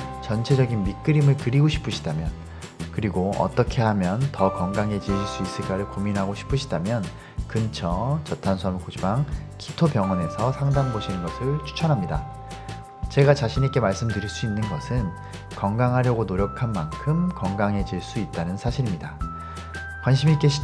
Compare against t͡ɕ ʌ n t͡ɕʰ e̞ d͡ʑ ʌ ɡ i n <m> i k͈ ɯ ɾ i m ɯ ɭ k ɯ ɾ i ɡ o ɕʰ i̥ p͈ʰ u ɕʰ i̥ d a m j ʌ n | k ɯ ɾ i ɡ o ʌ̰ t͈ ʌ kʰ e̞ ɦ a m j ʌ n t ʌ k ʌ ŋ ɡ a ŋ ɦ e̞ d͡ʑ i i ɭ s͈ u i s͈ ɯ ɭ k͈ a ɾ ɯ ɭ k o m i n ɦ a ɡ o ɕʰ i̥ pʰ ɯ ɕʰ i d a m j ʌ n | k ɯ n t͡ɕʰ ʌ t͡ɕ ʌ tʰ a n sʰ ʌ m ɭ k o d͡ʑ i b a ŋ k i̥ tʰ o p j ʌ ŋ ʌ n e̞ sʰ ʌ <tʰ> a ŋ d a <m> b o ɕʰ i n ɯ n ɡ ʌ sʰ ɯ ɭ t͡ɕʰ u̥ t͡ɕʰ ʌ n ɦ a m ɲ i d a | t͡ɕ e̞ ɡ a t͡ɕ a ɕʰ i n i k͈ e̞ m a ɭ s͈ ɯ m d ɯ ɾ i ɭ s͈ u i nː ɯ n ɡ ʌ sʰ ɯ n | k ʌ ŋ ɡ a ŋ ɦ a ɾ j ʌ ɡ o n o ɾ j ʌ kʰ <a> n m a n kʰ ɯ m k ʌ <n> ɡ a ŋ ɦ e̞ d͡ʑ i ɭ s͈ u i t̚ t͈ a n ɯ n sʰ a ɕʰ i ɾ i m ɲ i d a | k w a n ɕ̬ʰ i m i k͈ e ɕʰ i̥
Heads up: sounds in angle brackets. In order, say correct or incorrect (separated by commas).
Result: correct, incorrect, incorrect, correct, incorrect